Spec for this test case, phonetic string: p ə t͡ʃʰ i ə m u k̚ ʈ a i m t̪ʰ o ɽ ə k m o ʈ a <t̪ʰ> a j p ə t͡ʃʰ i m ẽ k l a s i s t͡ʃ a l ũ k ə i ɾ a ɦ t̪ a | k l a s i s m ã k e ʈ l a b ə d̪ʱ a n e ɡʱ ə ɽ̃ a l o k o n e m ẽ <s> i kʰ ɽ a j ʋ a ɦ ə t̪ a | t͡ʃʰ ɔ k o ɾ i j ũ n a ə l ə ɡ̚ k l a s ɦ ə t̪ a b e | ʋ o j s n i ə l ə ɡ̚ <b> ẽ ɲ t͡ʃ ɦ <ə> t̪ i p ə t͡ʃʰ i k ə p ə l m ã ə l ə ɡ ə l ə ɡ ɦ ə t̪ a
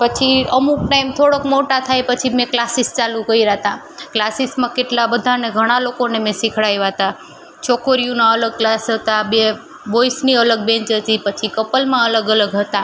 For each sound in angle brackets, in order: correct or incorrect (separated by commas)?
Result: correct, correct, correct, correct